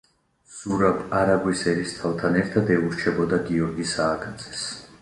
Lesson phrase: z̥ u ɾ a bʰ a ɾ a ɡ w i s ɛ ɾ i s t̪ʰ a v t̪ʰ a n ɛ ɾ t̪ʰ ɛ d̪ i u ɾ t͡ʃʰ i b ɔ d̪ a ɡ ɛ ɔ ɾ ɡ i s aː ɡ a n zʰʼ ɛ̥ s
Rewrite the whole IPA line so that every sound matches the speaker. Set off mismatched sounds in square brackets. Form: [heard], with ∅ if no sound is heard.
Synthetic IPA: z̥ u ɾ a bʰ a ɾ a ɡ w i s ɛ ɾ i s t̪ʰ a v t̪ʰ a n ɛ ɾ t̪ʰ [a] d̪ [ɛ] u ɾ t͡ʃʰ [ɛ] b ɔ d̪ a ɡ [i] ɔ ɾ ɡ i s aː ɡ a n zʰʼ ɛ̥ s